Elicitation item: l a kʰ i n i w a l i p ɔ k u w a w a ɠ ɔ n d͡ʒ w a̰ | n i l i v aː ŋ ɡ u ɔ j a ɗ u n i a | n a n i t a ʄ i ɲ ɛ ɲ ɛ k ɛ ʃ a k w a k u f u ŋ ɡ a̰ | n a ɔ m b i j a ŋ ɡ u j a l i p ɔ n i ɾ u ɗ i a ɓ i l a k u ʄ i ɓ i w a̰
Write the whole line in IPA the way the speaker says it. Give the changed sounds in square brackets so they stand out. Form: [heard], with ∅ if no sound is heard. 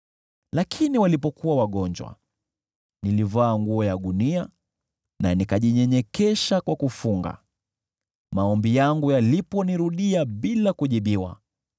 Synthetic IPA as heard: l a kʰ i n i w a l i p ɔ k u w a w a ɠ ɔ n d͡ʒ w a̰ | n i l i v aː ŋ ɡ u ɔ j a ɗ u n i a | n a n i [k] a ʄ i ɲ ɛ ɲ ɛ k ɛ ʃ a k w a k u f u ŋ ɡ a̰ | [m] a ɔ m b i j a ŋ ɡ u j a l i p ɔ n i ɾ u ɗ i a ɓ i l a k u ʄ i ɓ i w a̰